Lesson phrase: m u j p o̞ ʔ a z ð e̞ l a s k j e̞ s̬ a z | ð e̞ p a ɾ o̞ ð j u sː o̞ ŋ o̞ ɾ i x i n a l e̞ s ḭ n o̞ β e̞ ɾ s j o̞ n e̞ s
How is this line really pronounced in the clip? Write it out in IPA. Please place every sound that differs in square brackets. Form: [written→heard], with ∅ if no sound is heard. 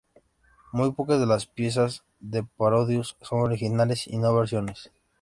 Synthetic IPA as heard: m u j p o̞ [ʔ→k] a z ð e̞ l a s [k→p] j e̞ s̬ a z | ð e̞ p a ɾ o̞ ð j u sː o̞ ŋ o̞ ɾ i x i n a l e̞ s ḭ n o̞ β e̞ ɾ s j o̞ n e̞ s